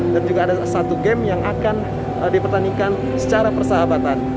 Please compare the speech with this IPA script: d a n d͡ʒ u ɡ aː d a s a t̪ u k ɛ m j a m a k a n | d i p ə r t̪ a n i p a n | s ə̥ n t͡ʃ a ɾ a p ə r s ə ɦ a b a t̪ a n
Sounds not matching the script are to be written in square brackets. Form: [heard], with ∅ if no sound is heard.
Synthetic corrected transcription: d a n d͡ʒ u ɡ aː d a s a t̪ u [ɡ] ɛ m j a [ŋ] a k a n | d i p ə r t̪ a n i [k] a n | s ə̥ [∅] t͡ʃ a ɾ a p ə r s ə ɦ a b a t̪ a n